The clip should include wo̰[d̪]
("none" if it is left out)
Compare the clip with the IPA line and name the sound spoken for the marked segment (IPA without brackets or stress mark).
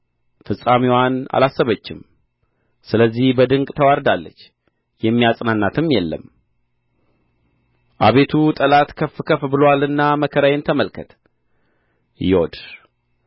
d̪